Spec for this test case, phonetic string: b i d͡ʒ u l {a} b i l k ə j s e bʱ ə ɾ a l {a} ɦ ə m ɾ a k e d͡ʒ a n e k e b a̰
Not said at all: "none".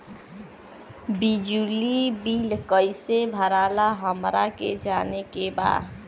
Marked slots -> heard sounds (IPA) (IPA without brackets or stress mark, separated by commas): i, a